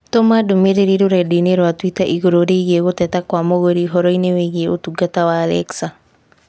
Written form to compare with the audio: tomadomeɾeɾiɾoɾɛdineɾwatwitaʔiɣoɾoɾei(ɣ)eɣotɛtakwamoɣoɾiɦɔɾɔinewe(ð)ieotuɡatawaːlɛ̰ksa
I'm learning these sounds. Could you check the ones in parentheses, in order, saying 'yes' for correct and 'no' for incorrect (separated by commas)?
yes, no